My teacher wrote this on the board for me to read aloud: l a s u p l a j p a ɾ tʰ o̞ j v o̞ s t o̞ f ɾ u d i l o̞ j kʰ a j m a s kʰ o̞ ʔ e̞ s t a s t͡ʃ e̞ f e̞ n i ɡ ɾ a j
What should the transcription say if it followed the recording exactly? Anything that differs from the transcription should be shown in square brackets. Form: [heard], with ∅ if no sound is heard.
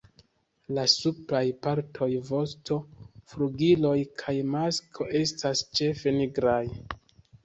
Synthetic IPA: l a s u p l a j p a ɾ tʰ o̞ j v o̞ s t o̞ f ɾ u [ɡ] i l o̞ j kʰ a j m a s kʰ o̞ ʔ e̞ s t a s t͡ʃ e̞ f e̞ n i ɡ ɾ a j